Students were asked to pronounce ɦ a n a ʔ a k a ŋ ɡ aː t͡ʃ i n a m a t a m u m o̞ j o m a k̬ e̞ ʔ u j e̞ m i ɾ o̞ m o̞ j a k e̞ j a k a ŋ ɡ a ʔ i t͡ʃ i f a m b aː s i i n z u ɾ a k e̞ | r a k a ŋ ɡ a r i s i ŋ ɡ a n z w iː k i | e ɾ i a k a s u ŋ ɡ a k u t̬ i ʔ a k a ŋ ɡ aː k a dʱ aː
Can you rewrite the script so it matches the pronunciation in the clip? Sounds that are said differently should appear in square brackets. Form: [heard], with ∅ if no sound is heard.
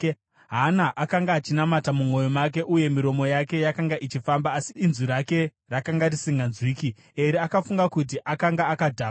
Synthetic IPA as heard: ɦ a n a ʔ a k a ŋ ɡ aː t͡ʃ i n a m a t a m u m o̞ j o m a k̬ e̞ ʔ u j e̞ m i ɾ o̞ m o̞ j a k e̞ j a k a ŋ ɡ a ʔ i t͡ʃ i f a m b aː s i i n z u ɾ a k e̞ | r a k a ŋ ɡ a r i s i ŋ ɡ a n z w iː k i | e ɾ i a k a [f] u ŋ ɡ a k u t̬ i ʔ a k a ŋ ɡ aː k a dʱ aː